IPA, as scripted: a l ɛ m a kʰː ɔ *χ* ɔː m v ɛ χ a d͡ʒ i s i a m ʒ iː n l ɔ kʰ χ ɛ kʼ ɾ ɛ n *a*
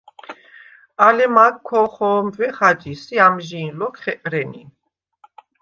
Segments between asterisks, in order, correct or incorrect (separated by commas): correct, incorrect